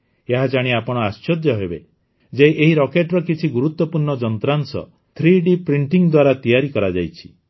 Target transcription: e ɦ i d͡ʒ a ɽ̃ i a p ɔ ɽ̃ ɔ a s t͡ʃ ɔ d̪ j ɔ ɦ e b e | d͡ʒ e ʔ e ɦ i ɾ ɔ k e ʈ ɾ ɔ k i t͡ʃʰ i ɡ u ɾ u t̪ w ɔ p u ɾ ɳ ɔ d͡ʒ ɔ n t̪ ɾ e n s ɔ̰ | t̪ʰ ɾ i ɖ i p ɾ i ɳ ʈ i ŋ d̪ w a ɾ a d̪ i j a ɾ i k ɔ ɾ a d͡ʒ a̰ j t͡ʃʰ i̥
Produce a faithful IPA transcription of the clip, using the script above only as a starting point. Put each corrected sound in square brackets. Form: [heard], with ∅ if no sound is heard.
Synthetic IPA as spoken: e ɦ [a] d͡ʒ a ɽ̃ i a p ɔ ɽ̃ ɔ a s t͡ʃ ɔ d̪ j ɔ ɦ e b e | d͡ʒ e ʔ e ɦ i ɾ ɔ k e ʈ ɾ ɔ k i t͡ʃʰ i ɡ u ɾ u t̪ w ɔ p u ɾ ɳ ɔ d͡ʒ ɔ n t̪ ɾ [a] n s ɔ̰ | t̪ʰ ɾ i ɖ i p ɾ i ɳ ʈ i ŋ d̪ w a ɾ a [t̪] i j a ɾ i k ɔ ɾ a d͡ʒ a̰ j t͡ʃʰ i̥